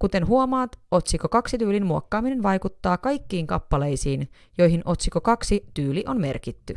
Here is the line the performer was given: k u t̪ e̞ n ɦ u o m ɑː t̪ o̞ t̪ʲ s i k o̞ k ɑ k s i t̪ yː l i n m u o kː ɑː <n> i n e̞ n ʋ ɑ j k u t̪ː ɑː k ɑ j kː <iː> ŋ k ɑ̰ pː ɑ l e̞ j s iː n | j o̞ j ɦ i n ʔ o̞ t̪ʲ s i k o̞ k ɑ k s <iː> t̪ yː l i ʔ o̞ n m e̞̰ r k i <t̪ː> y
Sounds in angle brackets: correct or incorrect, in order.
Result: incorrect: m, correct, incorrect: i, correct

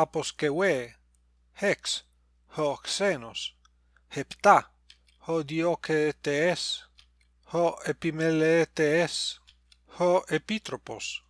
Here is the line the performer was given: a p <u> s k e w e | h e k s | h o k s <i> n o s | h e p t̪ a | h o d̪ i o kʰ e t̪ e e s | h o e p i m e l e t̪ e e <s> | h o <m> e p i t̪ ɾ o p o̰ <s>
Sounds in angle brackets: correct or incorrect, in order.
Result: incorrect: o, incorrect: e, correct, incorrect: none, correct

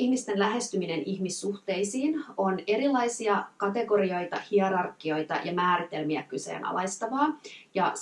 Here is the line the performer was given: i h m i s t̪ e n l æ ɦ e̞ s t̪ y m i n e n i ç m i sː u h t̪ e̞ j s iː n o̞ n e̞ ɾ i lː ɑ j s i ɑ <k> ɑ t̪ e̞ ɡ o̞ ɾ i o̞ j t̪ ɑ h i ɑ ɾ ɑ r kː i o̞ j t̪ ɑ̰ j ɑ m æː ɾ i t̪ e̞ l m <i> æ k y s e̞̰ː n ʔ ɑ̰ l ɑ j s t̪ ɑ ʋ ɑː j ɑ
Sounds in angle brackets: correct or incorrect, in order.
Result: correct, correct

